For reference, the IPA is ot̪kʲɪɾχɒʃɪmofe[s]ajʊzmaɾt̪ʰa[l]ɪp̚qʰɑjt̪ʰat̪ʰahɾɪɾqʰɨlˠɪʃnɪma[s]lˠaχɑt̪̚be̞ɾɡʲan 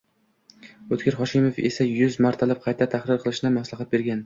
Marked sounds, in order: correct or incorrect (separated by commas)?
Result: correct, correct, correct